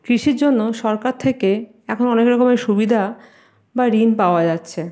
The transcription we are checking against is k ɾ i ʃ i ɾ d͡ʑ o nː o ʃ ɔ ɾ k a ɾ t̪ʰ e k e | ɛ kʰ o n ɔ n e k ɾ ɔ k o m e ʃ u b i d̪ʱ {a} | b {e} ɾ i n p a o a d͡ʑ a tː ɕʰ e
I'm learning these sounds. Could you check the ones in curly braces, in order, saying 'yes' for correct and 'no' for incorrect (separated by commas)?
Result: yes, no